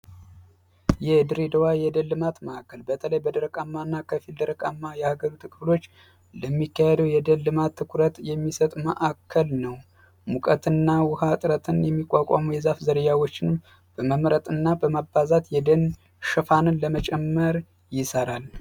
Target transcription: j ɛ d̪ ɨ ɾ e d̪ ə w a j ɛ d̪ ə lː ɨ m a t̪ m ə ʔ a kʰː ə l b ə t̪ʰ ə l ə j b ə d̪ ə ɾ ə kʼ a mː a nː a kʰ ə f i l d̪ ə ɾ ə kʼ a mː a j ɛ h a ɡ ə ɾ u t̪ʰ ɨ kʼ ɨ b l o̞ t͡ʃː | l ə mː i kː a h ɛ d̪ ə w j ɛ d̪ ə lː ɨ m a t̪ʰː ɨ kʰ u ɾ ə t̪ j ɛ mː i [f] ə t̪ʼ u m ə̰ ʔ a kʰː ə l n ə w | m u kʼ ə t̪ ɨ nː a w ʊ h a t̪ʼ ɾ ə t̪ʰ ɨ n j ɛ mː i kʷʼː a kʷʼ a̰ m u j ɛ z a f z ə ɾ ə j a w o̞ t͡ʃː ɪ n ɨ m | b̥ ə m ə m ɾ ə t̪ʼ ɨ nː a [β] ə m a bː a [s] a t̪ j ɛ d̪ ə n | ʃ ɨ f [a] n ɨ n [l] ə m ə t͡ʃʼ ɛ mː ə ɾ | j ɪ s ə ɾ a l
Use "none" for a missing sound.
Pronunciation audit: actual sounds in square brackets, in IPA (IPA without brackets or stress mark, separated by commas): s, b, z, a, l